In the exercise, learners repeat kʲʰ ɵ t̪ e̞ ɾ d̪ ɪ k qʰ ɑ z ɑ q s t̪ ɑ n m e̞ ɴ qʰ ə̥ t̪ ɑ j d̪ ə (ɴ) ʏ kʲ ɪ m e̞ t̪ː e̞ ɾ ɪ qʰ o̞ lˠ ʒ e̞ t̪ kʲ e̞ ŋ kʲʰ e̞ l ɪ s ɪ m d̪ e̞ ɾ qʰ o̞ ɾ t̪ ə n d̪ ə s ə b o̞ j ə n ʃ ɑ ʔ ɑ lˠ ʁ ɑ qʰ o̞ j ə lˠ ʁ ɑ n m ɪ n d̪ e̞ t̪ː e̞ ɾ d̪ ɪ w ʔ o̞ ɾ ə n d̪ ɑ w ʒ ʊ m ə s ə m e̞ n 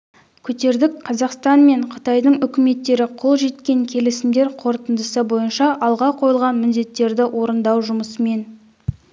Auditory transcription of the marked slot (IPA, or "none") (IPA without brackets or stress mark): ɴ